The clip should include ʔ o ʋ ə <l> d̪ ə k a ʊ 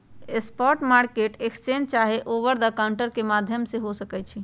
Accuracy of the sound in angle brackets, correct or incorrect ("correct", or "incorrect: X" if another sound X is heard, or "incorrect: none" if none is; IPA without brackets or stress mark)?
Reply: incorrect: ɾ